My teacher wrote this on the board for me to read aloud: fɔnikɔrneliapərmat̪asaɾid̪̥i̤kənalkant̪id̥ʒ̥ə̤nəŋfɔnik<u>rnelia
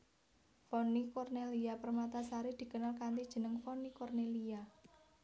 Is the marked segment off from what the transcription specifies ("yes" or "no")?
yes